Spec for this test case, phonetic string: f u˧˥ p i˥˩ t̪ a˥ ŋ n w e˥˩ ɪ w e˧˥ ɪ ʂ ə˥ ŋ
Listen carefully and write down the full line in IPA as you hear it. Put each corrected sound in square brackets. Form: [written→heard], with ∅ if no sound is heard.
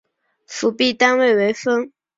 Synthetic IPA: f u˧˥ p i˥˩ t̪ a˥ [ŋ→∅] n w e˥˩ ɪ w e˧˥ ɪ [ʂ→f] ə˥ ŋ